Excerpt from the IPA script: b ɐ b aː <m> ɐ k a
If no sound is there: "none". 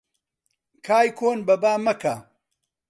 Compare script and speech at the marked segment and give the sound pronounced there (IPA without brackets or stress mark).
m